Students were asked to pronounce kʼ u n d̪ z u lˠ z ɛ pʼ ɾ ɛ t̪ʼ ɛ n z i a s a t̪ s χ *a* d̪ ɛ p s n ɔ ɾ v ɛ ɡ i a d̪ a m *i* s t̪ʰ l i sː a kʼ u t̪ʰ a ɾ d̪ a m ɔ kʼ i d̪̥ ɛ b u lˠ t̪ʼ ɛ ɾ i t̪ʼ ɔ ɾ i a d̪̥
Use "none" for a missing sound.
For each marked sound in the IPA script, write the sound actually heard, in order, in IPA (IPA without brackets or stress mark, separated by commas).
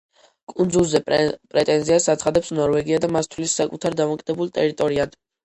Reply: a, a